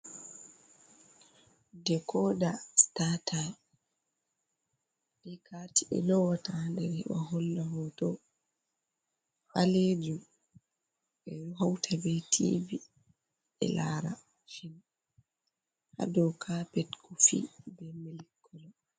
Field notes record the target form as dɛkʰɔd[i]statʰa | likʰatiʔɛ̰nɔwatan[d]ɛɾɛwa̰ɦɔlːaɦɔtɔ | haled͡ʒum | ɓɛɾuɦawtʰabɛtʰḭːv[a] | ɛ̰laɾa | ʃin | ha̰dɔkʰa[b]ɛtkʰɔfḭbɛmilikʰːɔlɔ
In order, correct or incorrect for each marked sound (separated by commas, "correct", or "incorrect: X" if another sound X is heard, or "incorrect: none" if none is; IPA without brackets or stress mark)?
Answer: incorrect: a, correct, incorrect: i, incorrect: p